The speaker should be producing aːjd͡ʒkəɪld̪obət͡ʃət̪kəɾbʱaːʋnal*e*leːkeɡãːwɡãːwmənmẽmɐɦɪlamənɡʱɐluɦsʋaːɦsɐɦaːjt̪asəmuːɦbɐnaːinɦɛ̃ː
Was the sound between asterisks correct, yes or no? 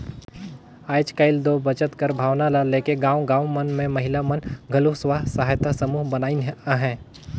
no